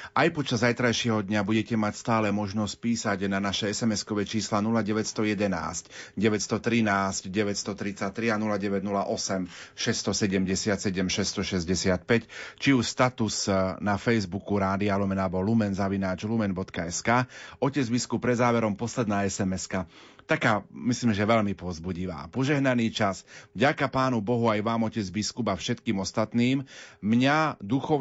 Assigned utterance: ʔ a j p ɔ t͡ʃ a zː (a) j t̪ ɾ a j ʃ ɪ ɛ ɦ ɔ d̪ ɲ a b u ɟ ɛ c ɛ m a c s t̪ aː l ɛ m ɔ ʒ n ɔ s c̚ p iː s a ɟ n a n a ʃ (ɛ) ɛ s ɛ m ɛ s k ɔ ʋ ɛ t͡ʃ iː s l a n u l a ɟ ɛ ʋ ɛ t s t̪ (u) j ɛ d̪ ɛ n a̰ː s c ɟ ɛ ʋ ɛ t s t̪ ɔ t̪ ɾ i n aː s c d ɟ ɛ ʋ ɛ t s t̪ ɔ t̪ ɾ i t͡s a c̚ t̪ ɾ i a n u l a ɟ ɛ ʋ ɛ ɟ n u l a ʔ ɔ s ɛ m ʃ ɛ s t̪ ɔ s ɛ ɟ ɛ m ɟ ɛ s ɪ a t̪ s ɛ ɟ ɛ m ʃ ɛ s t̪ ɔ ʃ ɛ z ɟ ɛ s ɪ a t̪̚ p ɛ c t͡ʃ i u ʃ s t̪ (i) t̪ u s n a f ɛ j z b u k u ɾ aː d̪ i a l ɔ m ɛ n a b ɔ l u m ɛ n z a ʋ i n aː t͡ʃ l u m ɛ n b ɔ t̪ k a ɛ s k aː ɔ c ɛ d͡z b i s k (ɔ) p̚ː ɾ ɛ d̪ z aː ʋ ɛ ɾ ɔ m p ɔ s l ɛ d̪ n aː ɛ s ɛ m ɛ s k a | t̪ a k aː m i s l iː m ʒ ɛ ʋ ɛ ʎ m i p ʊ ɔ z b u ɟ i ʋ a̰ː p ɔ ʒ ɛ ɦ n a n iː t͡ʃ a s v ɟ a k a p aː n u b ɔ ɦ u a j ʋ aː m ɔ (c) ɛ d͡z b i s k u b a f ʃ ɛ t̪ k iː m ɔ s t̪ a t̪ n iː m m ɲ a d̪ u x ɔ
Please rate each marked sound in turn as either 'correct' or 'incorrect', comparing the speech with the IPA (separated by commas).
correct, correct, incorrect, incorrect, incorrect, correct